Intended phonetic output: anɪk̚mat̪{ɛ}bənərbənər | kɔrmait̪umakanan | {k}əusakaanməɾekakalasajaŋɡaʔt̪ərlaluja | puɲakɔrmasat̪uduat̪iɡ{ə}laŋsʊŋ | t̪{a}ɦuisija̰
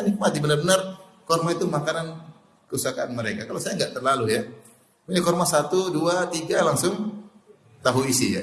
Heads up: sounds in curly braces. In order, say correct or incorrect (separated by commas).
incorrect, correct, incorrect, correct